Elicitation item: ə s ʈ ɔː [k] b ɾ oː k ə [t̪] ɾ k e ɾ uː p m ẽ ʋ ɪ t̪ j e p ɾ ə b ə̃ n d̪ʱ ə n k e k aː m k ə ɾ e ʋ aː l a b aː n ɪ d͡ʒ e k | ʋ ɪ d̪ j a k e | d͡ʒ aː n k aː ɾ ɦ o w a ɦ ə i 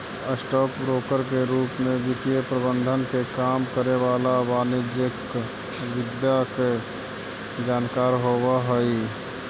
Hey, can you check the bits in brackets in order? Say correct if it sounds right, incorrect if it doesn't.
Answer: correct, incorrect: none

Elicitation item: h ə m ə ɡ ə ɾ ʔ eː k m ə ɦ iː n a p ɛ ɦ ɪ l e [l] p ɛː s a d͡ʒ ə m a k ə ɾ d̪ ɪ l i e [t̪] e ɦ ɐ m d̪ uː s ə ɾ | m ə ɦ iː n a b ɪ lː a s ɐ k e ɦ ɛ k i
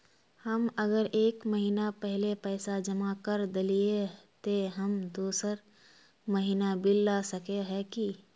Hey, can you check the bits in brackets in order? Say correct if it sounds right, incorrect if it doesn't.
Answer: incorrect: none, correct

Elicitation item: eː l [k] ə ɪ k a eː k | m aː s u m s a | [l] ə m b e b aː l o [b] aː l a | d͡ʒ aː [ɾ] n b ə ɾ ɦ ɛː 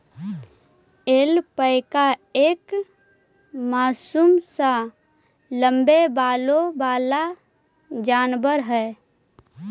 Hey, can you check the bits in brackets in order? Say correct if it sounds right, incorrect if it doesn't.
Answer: incorrect: p, correct, correct, incorrect: none

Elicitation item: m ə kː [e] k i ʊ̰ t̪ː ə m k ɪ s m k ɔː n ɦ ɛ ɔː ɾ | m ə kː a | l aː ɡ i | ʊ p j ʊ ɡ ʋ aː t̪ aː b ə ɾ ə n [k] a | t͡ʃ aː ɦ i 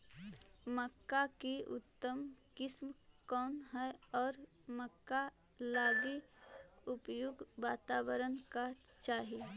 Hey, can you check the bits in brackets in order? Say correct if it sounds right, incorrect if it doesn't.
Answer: incorrect: a, correct

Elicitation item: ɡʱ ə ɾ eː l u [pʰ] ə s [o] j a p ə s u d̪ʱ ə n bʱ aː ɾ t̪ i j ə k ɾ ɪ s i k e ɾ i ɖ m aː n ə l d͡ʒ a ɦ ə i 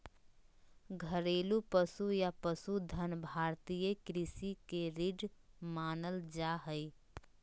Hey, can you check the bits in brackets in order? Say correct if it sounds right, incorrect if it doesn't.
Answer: incorrect: p, incorrect: u

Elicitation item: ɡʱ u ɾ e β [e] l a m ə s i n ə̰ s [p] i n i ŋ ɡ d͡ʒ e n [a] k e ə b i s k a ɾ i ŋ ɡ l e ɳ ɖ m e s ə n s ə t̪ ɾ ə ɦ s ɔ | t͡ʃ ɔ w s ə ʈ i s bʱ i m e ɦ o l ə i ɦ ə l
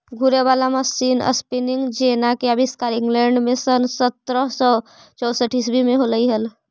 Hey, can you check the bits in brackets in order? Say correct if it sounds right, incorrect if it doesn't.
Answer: incorrect: a, correct, correct

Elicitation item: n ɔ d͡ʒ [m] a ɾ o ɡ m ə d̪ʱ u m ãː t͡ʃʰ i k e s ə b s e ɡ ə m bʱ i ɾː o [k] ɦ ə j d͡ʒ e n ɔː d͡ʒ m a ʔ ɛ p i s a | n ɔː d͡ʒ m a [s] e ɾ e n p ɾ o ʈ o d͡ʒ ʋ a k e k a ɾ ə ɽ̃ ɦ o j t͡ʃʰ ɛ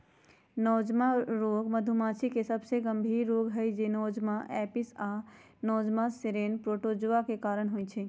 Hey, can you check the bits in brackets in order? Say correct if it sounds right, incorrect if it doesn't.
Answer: correct, incorrect: ɡ, correct

